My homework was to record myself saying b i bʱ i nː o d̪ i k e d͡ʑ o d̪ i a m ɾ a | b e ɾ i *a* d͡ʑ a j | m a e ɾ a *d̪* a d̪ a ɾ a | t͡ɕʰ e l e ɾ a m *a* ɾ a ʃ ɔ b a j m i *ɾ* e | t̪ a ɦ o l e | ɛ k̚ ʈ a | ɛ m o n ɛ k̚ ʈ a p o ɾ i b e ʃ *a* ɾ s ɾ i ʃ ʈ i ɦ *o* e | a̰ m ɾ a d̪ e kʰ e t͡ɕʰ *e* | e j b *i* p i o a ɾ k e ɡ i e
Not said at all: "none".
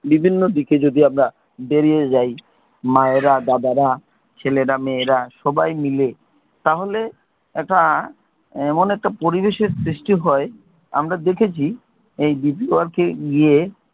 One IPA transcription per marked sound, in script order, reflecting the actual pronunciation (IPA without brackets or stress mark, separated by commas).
e, d̪, e, l, e, ɔ, i, i